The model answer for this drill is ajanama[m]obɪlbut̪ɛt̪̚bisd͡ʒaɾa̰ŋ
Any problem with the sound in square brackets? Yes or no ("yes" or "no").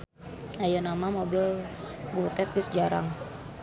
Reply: no